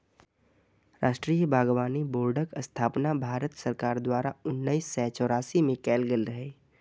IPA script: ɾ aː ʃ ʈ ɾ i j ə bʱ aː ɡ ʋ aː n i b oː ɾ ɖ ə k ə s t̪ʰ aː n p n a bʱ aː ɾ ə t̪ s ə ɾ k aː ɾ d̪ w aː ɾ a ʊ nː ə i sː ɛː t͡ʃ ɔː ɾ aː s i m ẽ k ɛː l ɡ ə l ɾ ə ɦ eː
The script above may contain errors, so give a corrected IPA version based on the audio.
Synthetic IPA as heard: ɾ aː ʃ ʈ ɾ i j ə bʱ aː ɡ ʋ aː n i b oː ɾ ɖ ə k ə s t̪ʰ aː p n a bʱ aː ɾ ə t̪ s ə ɾ k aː ɾ d̪ w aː ɾ a ʊ nː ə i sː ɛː t͡ʃ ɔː ɾ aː s i m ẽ k ɛː l ɡ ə l ɾ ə ɦ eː